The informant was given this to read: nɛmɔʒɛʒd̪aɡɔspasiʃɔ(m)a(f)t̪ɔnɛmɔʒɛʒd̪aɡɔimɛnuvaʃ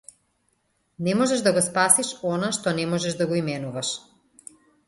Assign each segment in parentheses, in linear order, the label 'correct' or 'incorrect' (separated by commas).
incorrect, incorrect